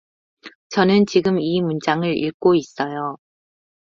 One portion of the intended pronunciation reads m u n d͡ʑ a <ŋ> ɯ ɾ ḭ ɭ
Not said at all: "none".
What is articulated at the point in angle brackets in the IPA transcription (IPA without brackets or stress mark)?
ŋ